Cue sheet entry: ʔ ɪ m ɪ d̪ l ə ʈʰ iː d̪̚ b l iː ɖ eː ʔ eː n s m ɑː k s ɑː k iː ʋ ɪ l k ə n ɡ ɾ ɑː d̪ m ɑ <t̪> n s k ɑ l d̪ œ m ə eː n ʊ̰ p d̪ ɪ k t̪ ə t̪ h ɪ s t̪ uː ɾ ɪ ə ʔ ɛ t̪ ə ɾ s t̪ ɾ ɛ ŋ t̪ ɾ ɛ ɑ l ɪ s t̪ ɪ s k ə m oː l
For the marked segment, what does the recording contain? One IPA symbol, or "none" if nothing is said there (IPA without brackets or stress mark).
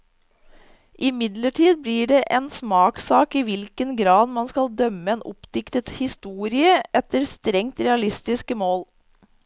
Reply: none